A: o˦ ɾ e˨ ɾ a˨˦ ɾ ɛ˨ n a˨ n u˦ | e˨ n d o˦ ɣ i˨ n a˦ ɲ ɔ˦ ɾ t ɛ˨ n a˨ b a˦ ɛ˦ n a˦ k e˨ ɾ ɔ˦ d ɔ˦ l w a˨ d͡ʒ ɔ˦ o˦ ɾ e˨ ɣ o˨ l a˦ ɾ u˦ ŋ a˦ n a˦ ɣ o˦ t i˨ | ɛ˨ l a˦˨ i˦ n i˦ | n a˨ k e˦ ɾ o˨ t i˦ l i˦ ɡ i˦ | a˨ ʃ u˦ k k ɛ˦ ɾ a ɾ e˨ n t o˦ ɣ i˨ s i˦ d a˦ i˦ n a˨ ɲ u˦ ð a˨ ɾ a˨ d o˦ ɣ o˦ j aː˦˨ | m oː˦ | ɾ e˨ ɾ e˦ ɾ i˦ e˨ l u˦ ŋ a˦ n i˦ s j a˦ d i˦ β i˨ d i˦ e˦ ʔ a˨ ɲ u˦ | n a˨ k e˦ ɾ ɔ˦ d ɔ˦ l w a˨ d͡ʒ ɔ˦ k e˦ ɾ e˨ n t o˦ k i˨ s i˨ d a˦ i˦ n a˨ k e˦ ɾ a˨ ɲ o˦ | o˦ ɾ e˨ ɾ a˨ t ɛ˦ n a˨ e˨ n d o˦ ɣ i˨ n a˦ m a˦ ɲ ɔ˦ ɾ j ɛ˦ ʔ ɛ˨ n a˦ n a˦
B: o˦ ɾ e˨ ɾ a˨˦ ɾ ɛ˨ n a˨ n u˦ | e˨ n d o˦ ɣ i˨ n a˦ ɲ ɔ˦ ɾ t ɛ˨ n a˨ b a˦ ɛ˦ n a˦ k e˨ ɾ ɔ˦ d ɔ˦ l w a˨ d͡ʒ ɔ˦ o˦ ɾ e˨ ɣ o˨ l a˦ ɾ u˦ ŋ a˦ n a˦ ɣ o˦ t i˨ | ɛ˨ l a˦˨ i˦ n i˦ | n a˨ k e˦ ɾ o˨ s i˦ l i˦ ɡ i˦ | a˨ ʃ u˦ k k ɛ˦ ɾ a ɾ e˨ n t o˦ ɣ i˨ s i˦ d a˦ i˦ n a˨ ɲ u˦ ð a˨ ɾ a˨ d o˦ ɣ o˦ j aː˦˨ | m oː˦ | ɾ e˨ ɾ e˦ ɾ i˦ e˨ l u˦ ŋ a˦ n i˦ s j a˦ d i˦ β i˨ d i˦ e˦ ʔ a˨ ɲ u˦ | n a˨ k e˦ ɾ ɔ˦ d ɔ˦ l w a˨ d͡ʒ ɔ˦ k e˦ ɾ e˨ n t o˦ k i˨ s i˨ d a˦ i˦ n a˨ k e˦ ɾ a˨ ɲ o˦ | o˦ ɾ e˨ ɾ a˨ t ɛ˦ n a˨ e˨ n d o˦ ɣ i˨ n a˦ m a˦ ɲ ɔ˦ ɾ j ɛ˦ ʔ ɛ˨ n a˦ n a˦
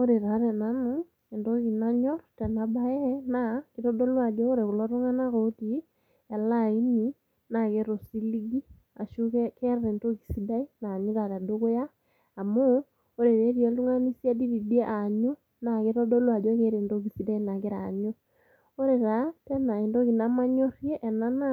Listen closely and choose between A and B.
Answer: B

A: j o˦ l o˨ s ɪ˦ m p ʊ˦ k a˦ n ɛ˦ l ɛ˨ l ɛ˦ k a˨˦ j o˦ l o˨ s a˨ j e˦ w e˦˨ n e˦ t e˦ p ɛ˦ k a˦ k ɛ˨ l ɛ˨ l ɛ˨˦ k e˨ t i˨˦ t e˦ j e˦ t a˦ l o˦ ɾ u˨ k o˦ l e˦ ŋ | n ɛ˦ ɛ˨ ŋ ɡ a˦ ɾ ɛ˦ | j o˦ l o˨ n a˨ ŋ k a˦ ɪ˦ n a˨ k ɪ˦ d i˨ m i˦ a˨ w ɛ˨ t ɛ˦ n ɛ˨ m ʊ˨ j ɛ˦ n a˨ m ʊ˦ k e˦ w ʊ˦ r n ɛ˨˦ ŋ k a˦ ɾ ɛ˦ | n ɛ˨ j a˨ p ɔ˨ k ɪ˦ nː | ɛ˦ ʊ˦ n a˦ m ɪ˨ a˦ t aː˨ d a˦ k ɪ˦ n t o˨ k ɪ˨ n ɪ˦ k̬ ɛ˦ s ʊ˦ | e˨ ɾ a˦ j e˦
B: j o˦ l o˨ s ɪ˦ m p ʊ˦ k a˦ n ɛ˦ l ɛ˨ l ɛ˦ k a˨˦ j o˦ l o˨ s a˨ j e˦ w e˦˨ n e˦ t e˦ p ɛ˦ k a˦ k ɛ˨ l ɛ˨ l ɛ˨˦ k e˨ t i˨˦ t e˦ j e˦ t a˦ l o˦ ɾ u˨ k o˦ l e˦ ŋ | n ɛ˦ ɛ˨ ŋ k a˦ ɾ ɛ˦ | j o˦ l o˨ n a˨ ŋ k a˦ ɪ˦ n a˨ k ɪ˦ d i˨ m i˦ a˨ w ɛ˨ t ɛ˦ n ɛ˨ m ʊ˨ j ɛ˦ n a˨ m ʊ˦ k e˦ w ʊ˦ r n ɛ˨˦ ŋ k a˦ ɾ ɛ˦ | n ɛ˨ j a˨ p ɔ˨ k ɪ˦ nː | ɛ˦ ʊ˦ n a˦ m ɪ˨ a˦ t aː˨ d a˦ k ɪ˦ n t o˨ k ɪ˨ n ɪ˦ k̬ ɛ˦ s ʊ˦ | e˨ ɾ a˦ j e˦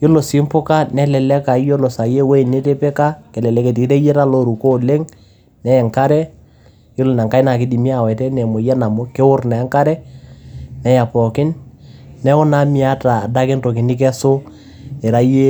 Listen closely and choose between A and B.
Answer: B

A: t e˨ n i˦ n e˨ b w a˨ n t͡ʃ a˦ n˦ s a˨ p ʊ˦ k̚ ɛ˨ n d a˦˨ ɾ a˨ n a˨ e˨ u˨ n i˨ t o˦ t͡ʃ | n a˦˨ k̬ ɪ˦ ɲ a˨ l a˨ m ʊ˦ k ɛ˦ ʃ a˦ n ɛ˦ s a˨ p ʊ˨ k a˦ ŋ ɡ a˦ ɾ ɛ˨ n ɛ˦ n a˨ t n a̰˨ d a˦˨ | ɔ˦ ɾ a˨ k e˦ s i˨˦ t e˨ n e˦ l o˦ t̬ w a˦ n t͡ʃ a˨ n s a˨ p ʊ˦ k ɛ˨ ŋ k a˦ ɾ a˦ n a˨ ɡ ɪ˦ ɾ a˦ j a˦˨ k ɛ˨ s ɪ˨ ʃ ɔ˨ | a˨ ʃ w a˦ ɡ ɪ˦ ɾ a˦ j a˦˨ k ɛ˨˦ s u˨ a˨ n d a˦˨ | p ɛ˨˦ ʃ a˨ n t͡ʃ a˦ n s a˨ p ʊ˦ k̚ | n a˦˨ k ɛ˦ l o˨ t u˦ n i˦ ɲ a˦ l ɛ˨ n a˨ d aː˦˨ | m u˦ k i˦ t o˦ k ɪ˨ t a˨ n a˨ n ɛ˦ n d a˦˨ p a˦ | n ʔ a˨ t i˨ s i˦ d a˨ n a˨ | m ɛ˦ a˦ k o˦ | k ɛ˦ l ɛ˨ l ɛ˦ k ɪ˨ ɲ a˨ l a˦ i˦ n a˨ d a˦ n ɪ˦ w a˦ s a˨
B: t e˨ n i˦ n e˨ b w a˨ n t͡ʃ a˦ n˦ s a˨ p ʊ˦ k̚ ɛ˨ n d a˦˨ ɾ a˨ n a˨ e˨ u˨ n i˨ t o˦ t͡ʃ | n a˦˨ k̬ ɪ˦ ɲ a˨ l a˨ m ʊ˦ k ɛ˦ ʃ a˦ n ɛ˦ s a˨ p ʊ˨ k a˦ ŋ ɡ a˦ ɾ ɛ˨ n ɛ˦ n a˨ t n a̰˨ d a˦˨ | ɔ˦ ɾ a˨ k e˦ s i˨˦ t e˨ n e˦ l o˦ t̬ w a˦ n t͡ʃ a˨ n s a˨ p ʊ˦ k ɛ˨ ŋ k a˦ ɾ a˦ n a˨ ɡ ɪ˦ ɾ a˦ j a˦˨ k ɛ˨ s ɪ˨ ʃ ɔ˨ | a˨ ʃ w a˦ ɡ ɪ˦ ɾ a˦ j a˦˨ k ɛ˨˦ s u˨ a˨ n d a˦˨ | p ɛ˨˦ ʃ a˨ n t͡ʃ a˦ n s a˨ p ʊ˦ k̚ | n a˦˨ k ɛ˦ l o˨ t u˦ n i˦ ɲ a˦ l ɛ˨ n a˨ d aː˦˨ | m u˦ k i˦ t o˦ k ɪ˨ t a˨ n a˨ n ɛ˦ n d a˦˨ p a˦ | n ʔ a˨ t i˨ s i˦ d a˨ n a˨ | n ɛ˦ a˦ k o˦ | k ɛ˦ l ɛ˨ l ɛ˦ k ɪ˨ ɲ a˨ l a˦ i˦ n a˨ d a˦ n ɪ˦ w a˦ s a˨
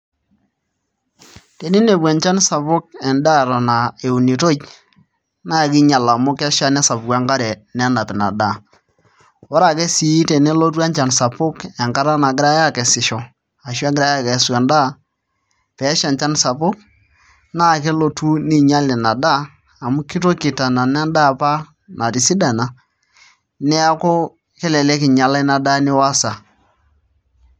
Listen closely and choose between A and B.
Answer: B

